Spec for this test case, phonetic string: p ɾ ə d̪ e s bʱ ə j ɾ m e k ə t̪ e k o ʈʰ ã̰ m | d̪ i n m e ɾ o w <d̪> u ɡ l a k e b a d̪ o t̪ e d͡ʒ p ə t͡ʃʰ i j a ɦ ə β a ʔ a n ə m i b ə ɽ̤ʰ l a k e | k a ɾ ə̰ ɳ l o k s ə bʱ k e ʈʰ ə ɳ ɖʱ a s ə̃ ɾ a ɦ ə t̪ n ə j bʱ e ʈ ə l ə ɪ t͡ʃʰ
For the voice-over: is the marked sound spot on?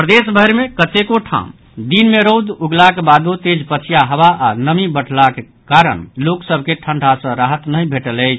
yes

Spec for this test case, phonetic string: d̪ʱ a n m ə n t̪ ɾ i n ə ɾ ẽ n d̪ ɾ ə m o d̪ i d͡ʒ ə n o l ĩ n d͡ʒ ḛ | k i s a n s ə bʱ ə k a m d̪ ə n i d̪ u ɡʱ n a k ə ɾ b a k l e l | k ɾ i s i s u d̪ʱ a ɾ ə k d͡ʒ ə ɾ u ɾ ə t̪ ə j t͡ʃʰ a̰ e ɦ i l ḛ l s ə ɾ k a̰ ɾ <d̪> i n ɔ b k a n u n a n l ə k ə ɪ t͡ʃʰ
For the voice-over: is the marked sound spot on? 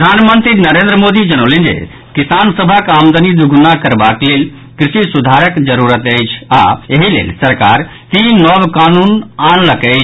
no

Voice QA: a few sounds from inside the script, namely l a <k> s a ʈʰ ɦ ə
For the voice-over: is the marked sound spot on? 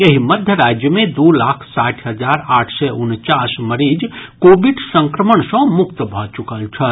no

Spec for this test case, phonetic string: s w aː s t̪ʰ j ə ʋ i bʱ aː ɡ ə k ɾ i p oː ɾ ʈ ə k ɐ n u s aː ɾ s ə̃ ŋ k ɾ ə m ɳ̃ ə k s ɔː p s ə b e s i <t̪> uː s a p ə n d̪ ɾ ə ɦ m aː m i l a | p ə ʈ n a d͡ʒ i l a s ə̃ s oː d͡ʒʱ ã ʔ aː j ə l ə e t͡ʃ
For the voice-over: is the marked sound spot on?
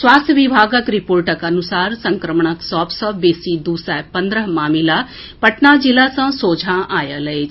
no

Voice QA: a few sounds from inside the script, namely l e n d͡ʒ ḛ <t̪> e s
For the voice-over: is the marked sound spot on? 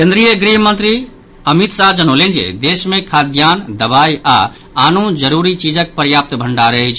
no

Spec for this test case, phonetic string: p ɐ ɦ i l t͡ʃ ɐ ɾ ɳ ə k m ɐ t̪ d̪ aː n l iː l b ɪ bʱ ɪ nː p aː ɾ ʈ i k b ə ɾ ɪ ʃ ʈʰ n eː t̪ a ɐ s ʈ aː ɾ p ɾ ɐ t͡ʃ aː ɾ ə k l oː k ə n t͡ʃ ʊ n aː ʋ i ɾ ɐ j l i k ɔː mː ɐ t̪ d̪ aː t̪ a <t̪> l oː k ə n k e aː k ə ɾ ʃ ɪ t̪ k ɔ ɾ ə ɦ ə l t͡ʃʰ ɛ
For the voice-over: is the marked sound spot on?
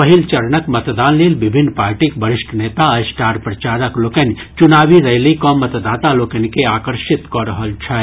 no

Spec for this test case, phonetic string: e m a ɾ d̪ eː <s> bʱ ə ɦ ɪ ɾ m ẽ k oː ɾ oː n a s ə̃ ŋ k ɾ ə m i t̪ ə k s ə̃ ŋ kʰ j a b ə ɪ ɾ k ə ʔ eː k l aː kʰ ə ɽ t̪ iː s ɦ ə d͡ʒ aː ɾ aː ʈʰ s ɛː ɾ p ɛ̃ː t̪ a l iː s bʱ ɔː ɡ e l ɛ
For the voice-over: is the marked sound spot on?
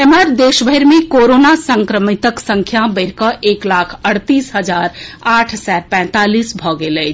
no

